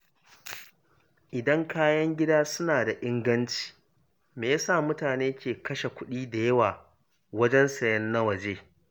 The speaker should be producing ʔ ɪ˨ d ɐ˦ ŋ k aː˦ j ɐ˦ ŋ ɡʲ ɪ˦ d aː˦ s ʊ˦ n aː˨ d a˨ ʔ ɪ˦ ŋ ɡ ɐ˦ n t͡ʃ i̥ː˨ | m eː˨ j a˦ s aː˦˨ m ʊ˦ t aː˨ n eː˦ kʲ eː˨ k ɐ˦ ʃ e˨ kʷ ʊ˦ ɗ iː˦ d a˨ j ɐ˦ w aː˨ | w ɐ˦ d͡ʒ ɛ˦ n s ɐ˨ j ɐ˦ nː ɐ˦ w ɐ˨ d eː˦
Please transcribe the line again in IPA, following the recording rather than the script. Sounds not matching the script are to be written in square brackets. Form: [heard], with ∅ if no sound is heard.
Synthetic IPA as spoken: ʔ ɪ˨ d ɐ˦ ŋ k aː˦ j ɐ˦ ŋ ɡʲ ɪ˦ d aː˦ s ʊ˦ n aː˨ d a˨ ʔ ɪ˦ ŋ ɡ ɐ˦ n t͡ʃ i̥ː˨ | m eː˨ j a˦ s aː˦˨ m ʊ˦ t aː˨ n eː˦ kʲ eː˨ k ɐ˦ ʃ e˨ kʷ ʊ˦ ɗ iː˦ d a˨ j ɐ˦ w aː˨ | w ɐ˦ d͡ʒ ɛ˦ n s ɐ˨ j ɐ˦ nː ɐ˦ w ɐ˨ [d͡ʒ] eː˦